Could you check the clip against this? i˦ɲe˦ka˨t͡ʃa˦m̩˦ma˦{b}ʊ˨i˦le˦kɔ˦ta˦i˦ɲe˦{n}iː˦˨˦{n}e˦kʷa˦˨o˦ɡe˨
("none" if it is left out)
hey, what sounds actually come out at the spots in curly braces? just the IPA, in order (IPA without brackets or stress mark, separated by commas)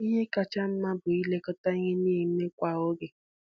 b, n, m